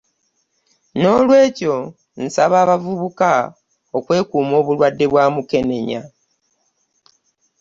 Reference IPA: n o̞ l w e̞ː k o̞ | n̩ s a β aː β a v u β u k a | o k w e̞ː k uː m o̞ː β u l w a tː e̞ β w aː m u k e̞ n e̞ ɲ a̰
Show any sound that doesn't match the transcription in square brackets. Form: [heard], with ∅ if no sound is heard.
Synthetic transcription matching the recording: n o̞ l w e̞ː [c] o̞ | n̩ s a β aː β a v u β u k a | o k w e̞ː k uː m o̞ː β u l w a [dː] e̞ β w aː m u k e̞ n e̞ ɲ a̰